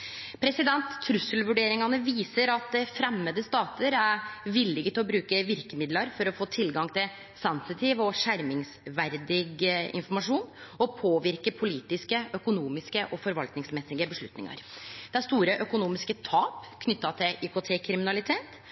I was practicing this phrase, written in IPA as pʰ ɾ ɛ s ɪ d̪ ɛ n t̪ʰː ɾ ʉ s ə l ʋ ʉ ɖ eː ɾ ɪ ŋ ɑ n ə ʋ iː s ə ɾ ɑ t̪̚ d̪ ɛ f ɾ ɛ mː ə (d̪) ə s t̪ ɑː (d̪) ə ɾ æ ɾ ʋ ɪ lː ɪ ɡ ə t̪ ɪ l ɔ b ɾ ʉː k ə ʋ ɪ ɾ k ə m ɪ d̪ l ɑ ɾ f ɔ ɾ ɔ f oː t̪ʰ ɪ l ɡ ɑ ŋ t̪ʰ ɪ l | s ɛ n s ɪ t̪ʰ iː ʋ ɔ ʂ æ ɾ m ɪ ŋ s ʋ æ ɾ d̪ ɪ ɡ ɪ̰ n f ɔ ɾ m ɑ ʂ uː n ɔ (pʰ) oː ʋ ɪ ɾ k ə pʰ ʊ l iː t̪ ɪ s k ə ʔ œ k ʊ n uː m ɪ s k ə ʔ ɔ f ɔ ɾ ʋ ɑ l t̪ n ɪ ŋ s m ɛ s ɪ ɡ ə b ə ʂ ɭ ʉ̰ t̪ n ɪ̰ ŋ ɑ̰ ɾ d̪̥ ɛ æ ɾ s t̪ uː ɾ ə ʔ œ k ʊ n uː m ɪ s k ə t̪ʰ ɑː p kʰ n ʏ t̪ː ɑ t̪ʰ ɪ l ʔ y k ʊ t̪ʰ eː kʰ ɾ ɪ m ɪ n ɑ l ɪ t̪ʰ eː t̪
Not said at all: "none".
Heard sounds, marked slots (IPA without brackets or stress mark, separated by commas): d̪, t̪, pʰ